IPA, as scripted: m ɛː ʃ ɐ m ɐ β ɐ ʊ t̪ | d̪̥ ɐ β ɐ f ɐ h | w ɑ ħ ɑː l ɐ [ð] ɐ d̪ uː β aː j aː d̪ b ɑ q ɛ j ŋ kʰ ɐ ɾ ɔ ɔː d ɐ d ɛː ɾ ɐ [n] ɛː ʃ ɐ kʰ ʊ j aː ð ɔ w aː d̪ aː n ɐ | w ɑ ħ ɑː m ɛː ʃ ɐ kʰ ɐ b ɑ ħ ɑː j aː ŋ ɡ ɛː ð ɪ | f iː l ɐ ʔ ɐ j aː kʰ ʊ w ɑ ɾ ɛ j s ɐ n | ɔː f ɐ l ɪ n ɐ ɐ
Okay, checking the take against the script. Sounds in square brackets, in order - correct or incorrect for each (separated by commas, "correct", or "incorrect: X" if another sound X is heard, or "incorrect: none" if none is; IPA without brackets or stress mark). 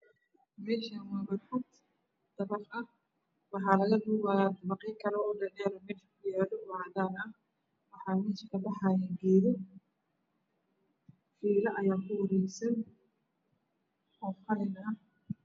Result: incorrect: ɣ, incorrect: m